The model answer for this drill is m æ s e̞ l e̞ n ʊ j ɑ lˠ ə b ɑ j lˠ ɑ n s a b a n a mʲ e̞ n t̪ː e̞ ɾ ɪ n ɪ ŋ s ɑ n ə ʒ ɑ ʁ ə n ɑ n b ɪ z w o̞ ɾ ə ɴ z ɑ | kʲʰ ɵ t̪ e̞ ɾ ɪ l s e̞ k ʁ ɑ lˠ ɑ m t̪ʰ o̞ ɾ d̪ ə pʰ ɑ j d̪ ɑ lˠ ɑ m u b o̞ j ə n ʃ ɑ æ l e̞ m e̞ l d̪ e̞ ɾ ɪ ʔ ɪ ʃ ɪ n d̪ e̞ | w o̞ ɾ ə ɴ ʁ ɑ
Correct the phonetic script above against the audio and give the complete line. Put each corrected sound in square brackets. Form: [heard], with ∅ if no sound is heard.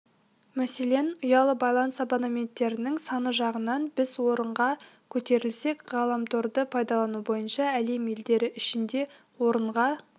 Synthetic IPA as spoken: m æ s e̞ l e̞ n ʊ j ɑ lˠ ə b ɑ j lˠ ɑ n s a b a n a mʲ e̞ n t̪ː e̞ ɾ ɪ n ɪ ŋ s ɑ n ə ʒ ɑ ʁ ə n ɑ n b ɪ z w o̞ ɾ ə ɴ [ʁ] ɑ | kʲʰ ɵ t̪ e̞ ɾ ɪ l s e̞ k ʁ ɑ lˠ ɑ m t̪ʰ o̞ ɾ d̪ ə pʰ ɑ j d̪ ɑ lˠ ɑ [n] u b o̞ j ə n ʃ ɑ æ l e̞ m e̞ l d̪ e̞ ɾ ɪ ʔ ɪ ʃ ɪ n d̪ e̞ | w o̞ ɾ ə ɴ ʁ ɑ

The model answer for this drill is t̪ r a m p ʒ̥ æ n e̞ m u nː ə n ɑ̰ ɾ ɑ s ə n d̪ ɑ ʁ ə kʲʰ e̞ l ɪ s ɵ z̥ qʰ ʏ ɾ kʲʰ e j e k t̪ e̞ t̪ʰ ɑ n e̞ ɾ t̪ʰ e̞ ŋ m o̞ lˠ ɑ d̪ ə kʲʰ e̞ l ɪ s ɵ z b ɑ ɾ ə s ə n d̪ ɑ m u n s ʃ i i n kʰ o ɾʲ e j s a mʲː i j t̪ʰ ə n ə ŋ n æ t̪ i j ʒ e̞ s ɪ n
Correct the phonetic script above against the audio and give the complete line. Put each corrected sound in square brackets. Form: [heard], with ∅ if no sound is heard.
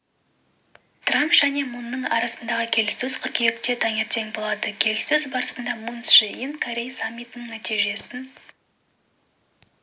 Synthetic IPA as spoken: t̪ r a m p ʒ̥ æ n e̞ m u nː ə [ɴ] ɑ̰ ɾ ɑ s ə n d̪ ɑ ʁ ə kʲʰ e̞ l ɪ s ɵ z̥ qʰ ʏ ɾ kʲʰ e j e k t̪ e̞ t̪ʰ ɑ [ŋ] e̞ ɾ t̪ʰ e̞ ŋ [b] o̞ lˠ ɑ d̪ ə kʲʰ e̞ l ɪ s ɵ z b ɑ ɾ ə s ə n d̪ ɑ m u n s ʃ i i n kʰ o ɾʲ e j s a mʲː i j [t̪] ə n ə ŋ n æ t̪ i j ʒ e̞ s ɪ n

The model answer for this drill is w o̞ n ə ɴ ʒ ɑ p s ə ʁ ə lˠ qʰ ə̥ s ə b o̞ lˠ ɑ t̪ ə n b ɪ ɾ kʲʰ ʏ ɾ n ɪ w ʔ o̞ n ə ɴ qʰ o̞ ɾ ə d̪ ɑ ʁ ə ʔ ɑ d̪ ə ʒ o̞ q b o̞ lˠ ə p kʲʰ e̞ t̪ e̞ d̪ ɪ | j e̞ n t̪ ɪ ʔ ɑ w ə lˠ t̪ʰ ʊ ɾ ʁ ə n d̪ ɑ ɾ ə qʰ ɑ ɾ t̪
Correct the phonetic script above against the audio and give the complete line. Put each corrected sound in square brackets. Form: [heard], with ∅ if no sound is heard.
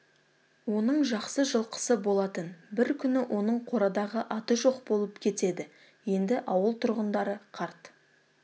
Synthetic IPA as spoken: w o̞ n ə ɴ ʒ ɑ [q] s ə [ʒ] ə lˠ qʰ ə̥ s ə b o̞ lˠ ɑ t̪ ə n b ɪ ɾ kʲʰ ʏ [∅] n ɪ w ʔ o̞ n ə ɴ qʰ o̞ ɾ [ɑ] d̪ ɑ ʁ ə ʔ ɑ [t̪] ə ʒ o̞ q b o̞ lˠ ə p kʲʰ e̞ t̪ e̞ d̪ ɪ | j e̞ n [d̪] ɪ ʔ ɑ w ə lˠ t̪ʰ ʊ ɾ ʁ ə n d̪ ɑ ɾ ə qʰ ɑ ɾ t̪

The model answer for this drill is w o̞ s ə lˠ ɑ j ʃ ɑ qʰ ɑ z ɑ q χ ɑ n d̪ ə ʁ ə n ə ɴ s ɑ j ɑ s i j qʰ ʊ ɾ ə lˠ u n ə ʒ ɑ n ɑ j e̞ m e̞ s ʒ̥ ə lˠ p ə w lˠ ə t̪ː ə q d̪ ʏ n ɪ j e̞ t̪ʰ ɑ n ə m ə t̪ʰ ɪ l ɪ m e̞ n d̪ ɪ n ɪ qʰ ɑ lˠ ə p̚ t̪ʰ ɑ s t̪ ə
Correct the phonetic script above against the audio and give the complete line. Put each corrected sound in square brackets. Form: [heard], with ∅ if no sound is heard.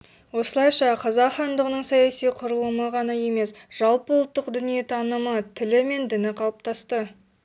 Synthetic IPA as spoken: w o̞ s ə lˠ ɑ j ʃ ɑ qʰ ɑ z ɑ q χ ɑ n d̪ ə ʁ ə n ə ɴ s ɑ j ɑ s i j qʰ ʊ ɾ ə lˠ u [m] ə [ʁ] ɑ n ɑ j e̞ m e̞ s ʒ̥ [ɑ] lˠ p ə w lˠ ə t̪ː ə q d̪ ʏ n [i] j e̞ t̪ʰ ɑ n ə m ə t̪ʰ ɪ l ɪ m e̞ n d̪ ɪ n ɪ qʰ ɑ lˠ ə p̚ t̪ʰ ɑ s t̪ ə

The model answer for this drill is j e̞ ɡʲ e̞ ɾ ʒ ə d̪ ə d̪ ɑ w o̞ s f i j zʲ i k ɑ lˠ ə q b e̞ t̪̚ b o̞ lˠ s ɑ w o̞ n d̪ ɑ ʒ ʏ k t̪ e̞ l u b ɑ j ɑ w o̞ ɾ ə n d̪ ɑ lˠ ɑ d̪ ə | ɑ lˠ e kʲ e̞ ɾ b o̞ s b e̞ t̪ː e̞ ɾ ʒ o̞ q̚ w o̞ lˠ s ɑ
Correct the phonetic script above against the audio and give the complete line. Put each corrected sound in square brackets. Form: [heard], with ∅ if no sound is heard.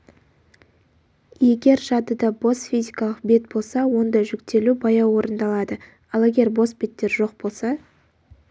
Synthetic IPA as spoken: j e̞ ɡʲ e̞ ɾ ʒ [ɑ] d̪ ə d̪ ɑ [b] o̞ s f i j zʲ i k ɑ lˠ ə q b e̞ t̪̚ b o̞ lˠ s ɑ w o̞ n d̪ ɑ ʒ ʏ k t̪ e̞ l u b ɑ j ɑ w o̞ ɾ ə n d̪ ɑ lˠ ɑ d̪ ə | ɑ lˠ e [ɡʲ] e̞ ɾ b o̞ s b e̞ t̪ː e̞ ɾ ʒ o̞ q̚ [b] o̞ lˠ s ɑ

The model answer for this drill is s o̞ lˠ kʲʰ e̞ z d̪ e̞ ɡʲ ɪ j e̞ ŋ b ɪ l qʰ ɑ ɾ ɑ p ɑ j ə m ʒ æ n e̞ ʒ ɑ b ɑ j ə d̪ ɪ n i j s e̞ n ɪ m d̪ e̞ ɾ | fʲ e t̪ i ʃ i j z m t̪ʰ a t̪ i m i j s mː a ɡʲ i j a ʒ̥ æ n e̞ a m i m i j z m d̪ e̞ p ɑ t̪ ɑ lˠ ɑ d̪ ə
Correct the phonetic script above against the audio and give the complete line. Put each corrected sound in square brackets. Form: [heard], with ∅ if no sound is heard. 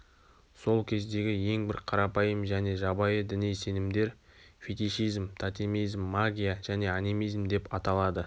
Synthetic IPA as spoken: s o̞ lˠ kʲʰ e̞ z d̪ e̞ ɡʲ ɪ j e̞ ŋ b ɪ [ɾ] qʰ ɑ ɾ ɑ p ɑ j ə m ʒ æ n e̞ ʒ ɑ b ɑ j ə d̪ ɪ n i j s e̞ n ɪ m d̪ e̞ ɾ | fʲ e t̪ i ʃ i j z m t̪ʰ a t̪ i m i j [z] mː a ɡʲ i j a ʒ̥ æ n e̞ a [n] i m i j z m d̪ e̞ p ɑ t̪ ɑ lˠ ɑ d̪ ə

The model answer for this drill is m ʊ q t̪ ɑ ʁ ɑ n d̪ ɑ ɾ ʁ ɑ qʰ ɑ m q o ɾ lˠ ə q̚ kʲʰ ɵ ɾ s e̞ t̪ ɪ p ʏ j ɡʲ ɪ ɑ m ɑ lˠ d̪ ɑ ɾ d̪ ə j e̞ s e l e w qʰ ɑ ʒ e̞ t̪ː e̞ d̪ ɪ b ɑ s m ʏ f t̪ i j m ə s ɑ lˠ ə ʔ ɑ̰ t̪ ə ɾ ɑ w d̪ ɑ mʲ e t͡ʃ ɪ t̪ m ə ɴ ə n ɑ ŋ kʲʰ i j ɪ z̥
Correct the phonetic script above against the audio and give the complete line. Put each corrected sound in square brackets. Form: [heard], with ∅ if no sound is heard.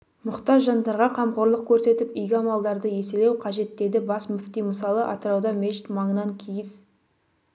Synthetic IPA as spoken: m ʊ q t̪ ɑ [ʒ] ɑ n d̪ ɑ ɾ ʁ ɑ qʰ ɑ m q o ɾ lˠ ə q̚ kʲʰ ɵ ɾ s e̞ t̪ ɪ p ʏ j ɡʲ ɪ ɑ m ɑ lˠ d̪ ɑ ɾ d̪ ə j e̞ s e l e w qʰ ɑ ʒ e̞ t̪ː e̞ d̪ ɪ b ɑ s m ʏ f t̪ i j m ə s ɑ lˠ ə ʔ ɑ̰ t̪ ə ɾ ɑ w d̪ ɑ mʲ e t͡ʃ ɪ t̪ m [ɑ] ɴ ə n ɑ ŋ kʲʰ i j ɪ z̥

